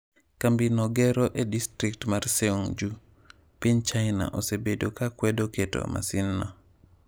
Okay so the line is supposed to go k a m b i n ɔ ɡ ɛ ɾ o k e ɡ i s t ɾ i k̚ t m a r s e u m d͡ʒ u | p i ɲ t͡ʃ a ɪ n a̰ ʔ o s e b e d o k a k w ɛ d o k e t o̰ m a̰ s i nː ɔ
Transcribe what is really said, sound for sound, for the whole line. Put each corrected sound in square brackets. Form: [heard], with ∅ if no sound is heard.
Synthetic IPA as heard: k a m b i n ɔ ɡ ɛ ɾ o [ʔ] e [d] i s t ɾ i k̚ t m a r s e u [ŋ] d͡ʒ u | p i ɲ t͡ʃ a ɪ n a̰ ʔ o s e b e d o k a k w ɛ d o k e t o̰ m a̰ s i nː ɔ